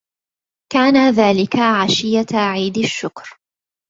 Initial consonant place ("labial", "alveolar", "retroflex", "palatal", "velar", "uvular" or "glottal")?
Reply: velar